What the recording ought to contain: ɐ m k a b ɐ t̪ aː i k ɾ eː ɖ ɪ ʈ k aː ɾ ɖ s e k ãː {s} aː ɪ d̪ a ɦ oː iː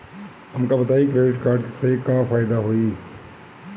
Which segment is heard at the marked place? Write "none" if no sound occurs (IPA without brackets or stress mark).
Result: f